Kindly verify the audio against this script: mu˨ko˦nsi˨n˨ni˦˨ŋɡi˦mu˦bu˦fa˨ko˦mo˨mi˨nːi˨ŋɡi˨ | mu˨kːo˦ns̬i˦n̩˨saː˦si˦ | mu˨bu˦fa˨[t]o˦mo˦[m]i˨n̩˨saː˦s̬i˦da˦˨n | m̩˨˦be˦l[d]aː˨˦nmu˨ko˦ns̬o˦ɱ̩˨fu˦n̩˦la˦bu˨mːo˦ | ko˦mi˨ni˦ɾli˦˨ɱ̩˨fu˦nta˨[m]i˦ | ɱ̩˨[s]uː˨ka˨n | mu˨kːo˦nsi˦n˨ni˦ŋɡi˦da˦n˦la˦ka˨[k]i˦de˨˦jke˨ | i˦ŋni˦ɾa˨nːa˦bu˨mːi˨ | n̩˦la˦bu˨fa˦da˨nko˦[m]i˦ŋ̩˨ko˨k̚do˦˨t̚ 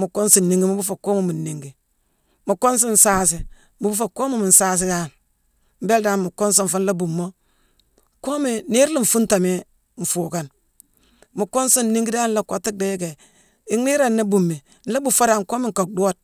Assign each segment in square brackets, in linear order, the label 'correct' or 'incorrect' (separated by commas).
incorrect, correct, correct, correct, incorrect, incorrect, correct